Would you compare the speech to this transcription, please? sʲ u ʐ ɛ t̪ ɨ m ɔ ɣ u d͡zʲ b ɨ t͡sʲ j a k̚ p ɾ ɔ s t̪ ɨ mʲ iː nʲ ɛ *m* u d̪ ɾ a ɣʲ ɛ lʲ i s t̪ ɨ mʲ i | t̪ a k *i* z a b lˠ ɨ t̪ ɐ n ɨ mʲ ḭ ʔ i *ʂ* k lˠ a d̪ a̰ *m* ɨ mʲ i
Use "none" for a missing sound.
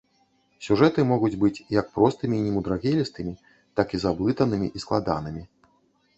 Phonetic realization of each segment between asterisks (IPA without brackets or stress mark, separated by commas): m, i, s, n